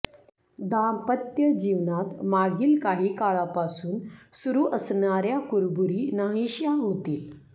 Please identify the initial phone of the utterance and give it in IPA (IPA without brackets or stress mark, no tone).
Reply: d̪